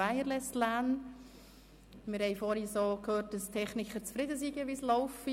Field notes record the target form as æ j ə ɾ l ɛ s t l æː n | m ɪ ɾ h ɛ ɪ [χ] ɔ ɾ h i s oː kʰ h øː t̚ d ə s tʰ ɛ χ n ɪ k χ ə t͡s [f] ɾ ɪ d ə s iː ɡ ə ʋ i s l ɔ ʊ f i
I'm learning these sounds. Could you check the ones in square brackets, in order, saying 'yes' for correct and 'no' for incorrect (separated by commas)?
no, yes